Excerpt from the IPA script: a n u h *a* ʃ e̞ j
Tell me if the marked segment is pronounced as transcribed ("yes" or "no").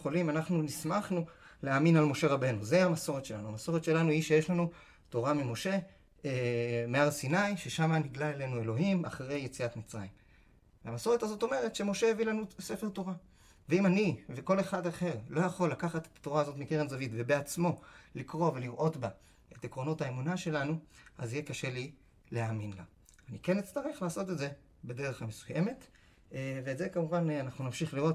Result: no